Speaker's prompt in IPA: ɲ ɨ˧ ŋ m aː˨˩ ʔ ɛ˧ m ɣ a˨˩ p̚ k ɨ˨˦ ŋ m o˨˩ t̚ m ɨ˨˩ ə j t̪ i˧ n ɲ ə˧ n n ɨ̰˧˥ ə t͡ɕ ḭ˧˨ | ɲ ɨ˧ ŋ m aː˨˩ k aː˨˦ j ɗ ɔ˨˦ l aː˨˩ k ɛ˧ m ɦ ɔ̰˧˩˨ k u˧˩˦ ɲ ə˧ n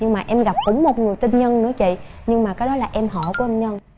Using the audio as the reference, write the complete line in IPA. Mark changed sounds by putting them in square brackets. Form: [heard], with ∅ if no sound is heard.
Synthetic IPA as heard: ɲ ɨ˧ ŋ m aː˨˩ ʔ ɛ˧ m ɣ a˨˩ p̚ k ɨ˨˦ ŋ m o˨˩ t̚ [ŋ] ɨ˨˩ ə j t̪ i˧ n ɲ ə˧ n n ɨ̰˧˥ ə t͡ɕ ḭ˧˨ | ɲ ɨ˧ ŋ m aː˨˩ k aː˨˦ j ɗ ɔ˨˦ l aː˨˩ [ʔ] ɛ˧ m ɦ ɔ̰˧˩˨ k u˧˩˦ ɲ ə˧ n